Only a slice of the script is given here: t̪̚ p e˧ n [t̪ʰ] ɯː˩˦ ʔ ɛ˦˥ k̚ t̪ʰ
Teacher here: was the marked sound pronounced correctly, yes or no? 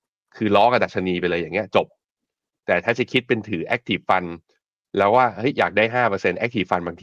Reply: yes